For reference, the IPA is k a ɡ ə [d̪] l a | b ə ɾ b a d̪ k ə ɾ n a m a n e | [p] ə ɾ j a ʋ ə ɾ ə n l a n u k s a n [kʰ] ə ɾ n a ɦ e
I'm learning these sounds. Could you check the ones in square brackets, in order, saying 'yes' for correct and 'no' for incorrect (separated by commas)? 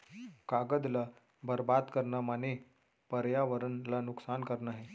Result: yes, yes, no